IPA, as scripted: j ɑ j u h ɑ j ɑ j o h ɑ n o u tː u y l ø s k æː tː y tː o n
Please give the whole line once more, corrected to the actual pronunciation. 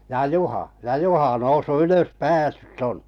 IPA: j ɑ j u h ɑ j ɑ j u h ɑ n o u sː u y l ø s p æː sː y tː o n